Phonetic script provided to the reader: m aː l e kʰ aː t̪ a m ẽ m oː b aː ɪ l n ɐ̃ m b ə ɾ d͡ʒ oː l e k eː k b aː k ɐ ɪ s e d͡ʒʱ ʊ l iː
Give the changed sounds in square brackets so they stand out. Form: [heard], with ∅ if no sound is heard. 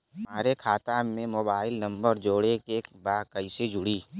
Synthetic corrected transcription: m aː [ɾ] e kʰ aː t̪ a m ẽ m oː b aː ɪ l n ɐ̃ m b ə ɾ d͡ʒ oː [ɽ] e k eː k b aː k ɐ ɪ s e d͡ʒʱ ʊ [ɽ] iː